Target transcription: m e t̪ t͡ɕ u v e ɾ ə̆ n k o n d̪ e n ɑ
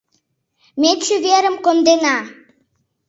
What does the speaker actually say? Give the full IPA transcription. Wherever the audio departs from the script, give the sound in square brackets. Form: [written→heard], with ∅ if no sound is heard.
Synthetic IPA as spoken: m e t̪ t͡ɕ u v e ɾ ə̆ [n→m] k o n d̪ e n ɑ